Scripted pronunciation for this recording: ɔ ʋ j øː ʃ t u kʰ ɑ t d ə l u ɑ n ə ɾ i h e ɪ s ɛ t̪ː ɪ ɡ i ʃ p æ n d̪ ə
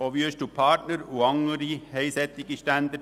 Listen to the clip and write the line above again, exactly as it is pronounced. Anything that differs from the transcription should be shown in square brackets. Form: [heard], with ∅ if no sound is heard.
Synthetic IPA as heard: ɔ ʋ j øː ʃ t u [pʰ] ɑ t [n] ə [ɾ] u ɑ [ŋ] ə ɾ i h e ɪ s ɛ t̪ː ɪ ɡ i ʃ [t] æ n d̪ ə

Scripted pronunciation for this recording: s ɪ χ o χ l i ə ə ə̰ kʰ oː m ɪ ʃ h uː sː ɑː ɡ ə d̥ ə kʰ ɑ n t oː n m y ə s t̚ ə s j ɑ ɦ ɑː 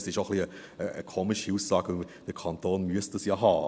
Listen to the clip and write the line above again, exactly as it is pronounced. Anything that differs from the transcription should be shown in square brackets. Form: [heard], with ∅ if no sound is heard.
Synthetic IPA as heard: s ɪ [ʃ] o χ l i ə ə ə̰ kʰ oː m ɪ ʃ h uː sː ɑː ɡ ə d̥ ə kʰ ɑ n t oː n m y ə s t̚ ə s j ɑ ɦ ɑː

